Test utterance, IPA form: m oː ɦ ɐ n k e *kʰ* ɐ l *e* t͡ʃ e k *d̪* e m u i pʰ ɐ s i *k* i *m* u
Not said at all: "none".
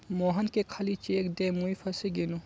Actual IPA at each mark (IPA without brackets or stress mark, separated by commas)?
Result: kʰ, i, d̪, ɡ, n